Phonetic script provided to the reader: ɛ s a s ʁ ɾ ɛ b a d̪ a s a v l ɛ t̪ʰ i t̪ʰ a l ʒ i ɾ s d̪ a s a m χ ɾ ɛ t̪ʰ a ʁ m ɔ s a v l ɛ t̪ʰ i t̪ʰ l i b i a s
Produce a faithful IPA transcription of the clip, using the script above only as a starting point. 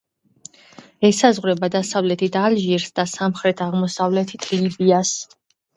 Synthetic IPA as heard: ɛ s a z ʁ ɾ ɛ b a d̪ a s a v l ɛ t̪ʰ i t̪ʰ a l ʒ i ɾ s d̪ a s a m χ ɾ ɛ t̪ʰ a ʁ m ɔ s a v l ɛ t̪ʰ i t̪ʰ l i b i a s